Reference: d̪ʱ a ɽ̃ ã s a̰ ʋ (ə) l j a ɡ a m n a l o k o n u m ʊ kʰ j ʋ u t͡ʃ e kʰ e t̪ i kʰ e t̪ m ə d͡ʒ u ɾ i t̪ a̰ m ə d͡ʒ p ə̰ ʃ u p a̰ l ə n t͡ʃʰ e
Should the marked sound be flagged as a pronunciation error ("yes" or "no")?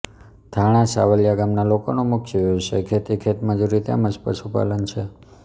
no